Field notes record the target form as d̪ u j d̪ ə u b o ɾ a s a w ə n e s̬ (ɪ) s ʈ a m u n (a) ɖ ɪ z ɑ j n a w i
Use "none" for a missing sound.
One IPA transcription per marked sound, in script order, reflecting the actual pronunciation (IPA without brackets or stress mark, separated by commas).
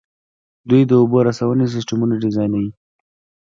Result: ɪ, a